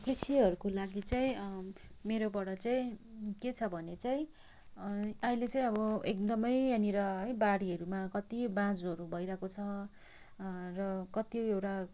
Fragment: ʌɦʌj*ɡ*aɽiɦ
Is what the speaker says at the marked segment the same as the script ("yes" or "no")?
no